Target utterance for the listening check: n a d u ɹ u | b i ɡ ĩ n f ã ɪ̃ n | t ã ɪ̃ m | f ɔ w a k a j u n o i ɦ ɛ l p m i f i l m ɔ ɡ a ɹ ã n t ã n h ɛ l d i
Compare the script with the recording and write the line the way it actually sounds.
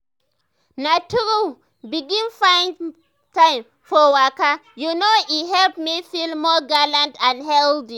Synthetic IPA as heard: n a t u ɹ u | b i ɡ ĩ n f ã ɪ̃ n | t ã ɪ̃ m | f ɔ w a k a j u n o i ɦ ɛ l p m i f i l m ɔ ɡ a l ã n t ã n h ɛ l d i